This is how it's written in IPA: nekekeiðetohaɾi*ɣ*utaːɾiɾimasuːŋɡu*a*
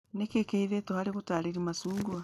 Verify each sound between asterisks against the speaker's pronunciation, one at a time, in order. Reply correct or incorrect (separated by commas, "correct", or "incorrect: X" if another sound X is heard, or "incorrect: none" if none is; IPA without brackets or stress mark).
correct, correct